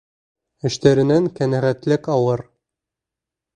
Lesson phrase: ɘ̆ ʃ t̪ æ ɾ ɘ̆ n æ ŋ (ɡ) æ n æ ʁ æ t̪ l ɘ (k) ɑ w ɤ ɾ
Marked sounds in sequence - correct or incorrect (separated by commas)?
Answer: incorrect, correct